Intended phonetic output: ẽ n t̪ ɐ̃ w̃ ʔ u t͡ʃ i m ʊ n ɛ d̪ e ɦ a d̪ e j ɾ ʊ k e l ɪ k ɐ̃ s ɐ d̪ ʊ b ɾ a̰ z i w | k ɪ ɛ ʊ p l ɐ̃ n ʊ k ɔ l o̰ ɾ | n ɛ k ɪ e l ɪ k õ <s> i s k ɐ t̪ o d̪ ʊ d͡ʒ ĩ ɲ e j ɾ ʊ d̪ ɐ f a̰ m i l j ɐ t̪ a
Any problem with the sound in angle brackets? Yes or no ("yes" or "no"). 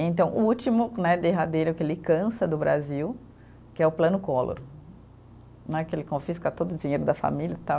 yes